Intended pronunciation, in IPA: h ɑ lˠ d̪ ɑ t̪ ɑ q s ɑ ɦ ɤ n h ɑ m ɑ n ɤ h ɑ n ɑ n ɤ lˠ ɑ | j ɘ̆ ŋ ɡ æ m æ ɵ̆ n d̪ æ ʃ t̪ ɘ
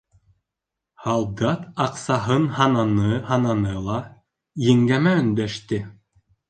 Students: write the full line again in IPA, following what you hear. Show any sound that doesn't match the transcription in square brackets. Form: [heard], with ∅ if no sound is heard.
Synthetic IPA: h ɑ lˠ d̪ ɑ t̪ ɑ q s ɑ ɦ ɤ n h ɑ [n] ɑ n ɤ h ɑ n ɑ n ɤ lˠ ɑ | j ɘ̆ ŋ ɡ æ m æ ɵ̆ n d̪ æ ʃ t̪ ɘ